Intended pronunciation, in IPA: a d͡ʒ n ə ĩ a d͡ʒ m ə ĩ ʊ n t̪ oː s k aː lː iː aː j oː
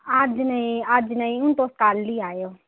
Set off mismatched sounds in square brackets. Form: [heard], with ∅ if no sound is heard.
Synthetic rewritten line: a d͡ʒ n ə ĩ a d͡ʒ [n] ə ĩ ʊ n t̪ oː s k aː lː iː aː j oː